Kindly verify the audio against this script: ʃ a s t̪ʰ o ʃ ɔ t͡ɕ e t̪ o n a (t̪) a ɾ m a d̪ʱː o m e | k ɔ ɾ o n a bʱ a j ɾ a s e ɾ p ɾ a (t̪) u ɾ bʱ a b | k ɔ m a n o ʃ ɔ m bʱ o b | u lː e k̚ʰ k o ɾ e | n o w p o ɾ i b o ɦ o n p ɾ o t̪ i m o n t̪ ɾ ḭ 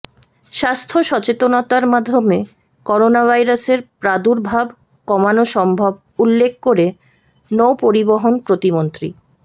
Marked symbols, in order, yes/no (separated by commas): yes, no